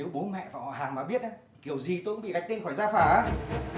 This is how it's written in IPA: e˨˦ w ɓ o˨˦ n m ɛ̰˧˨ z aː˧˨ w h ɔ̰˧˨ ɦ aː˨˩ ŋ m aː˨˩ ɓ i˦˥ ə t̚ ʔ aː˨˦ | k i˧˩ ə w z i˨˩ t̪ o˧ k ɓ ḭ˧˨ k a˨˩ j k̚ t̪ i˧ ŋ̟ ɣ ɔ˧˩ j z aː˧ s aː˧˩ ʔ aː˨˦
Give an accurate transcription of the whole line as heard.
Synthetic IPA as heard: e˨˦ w ɓ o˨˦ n m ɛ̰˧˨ v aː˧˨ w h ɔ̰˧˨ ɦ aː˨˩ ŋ m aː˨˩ ɓ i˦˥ ə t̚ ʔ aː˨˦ | k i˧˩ ə w z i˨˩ t̪ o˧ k ɓ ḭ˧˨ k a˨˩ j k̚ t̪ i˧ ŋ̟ x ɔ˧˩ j z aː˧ f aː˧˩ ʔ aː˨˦